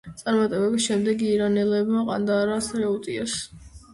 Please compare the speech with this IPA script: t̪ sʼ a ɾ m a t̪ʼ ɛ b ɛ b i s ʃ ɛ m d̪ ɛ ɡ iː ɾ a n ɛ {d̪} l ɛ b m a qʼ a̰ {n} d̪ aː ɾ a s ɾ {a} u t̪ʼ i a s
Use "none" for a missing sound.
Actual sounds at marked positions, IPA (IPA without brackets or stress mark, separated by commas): none, n, ɛ